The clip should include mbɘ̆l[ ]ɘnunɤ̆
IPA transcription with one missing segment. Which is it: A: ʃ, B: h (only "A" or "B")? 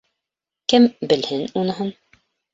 B